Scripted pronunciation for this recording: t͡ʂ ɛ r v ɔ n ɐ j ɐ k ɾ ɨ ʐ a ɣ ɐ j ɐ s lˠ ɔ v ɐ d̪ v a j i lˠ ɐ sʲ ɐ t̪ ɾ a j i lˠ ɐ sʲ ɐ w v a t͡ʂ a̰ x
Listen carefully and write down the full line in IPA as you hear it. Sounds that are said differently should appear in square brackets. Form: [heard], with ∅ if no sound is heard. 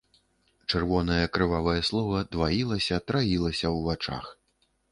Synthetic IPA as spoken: t͡ʂ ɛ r v ɔ n ɐ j ɐ k ɾ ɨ [v] a [v] ɐ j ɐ s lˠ ɔ v ɐ d̪ v a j i lˠ ɐ sʲ ɐ t̪ ɾ a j i lˠ ɐ sʲ ɐ w v a t͡ʂ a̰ x